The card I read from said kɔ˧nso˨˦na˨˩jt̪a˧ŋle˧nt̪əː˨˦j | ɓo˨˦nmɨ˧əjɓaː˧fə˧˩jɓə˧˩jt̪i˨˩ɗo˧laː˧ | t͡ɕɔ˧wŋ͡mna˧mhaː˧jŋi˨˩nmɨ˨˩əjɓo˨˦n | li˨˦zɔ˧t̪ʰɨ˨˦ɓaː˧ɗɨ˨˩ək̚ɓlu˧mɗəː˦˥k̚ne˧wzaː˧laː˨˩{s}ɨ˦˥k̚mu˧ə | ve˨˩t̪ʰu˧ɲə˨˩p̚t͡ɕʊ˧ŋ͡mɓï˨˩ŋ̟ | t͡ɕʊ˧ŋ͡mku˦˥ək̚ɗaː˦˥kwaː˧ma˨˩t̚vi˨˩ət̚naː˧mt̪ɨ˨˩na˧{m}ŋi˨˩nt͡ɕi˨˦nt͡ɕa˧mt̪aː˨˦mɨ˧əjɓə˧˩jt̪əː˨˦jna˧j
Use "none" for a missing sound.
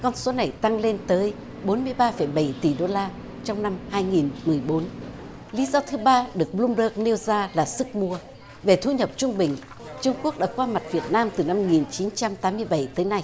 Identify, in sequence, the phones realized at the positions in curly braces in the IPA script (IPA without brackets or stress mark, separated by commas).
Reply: s, m